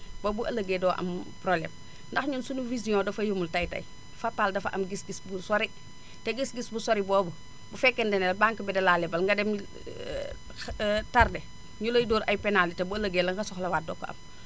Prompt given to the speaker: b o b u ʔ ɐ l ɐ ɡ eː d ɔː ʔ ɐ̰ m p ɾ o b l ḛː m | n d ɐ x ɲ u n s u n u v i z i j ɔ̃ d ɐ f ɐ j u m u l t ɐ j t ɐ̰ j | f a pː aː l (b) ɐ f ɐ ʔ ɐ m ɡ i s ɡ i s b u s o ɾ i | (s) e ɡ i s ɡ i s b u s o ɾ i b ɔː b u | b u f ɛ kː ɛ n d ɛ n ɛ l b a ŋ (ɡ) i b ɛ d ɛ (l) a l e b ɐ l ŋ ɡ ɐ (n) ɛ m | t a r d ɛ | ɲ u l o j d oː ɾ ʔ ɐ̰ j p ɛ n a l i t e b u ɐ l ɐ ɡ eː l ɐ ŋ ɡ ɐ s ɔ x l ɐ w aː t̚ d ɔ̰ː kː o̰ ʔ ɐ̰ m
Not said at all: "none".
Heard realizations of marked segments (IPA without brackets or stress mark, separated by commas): d, t, k, l, d